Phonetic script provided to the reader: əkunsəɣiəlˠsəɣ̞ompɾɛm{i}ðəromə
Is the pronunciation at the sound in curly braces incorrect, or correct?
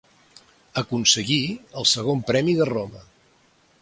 correct